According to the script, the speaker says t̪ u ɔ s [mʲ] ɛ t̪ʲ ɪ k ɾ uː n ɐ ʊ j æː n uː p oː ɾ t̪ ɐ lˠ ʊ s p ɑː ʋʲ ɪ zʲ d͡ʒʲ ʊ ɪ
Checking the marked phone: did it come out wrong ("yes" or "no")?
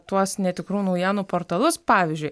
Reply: yes